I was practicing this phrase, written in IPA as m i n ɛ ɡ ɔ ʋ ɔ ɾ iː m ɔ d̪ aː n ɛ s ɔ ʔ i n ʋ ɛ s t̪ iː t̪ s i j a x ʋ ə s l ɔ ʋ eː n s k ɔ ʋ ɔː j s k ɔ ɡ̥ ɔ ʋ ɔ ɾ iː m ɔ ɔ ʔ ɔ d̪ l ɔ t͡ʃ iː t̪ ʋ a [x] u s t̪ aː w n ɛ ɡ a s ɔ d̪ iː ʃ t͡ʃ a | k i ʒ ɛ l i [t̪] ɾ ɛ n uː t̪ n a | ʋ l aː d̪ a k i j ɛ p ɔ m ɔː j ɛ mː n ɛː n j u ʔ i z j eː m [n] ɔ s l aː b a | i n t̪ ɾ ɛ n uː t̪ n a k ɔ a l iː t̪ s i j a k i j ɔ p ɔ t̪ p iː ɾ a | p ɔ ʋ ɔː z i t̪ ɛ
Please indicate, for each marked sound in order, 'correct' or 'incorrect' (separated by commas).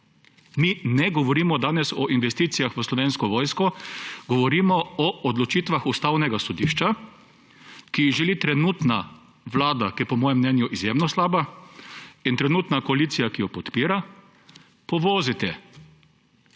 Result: correct, correct, correct